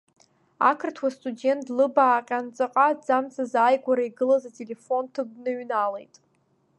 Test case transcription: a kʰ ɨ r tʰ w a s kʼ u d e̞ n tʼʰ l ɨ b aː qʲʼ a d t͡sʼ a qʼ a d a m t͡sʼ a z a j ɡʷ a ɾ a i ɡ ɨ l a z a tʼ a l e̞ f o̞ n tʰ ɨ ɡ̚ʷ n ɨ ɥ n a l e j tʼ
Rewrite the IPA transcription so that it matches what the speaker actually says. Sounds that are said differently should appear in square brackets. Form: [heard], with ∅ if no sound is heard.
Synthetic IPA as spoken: a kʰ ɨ r tʰ w a s [tʼ] u d e̞ n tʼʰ l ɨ b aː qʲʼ a [n] t͡sʼ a qʼ a [d͡z] a m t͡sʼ a z a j ɡʷ a ɾ a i ɡ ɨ l a z a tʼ [e] l e̞ f o̞ n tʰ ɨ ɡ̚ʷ n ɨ ɥ n a l e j tʼ